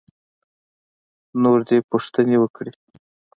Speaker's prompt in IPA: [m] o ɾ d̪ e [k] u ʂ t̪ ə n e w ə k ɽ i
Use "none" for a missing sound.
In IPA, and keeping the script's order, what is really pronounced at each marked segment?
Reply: n, p

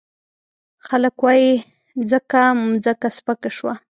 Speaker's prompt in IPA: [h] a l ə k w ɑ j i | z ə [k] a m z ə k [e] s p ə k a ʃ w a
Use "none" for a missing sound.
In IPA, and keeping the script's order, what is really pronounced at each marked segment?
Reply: x, k, a

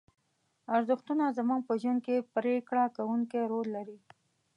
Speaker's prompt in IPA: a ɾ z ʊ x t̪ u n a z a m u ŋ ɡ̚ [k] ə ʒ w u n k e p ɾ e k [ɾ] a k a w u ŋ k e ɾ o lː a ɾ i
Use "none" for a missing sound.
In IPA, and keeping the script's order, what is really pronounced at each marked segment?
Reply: p, ɽ

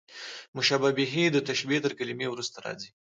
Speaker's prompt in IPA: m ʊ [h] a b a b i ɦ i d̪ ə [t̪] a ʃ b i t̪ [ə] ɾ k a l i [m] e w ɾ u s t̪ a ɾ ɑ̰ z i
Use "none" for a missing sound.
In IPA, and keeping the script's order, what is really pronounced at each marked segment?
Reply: ʃ, t̪, ə, m

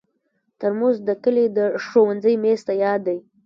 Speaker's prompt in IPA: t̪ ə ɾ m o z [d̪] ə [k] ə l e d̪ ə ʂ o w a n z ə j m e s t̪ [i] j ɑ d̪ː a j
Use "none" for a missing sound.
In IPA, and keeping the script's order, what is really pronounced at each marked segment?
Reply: d̪, k, a

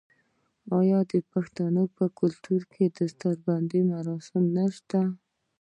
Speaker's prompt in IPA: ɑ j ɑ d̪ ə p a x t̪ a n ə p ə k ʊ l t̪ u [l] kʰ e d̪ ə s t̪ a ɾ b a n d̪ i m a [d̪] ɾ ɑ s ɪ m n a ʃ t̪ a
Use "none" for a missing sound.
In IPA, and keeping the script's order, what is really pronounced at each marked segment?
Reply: ɾ, none

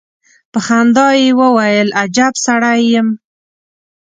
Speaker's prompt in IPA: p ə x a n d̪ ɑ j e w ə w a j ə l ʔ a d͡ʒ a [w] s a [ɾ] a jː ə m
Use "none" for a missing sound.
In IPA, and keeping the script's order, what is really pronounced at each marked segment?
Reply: b, ɽ

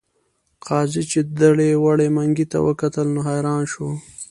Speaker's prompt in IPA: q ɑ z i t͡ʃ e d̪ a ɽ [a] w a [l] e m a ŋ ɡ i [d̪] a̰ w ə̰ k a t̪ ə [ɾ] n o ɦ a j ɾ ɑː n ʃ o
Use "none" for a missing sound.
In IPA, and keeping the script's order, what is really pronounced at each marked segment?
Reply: e, ɽ, t̪, l

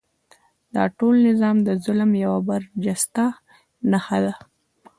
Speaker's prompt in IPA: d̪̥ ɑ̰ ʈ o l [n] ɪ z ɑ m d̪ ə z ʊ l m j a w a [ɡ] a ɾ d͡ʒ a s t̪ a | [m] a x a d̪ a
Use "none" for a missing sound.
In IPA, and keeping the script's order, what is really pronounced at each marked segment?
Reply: n, b, n

